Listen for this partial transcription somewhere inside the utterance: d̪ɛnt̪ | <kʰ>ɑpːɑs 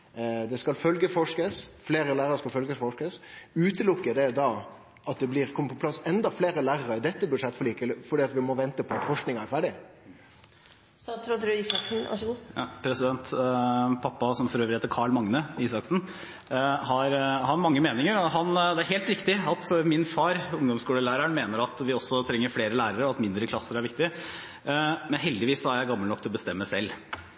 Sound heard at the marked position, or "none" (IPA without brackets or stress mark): pʰ